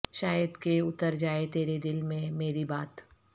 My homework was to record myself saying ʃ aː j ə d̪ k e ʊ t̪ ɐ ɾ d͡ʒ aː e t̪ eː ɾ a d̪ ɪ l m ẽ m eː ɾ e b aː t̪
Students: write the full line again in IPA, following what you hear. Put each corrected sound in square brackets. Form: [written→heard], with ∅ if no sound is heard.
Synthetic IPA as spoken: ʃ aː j ə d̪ k e ʊ t̪ [ɐ→ə] ɾ d͡ʒ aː e t̪ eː ɾ [a→e] d̪ ɪ l m ẽ m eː ɾ [e→i] b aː t̪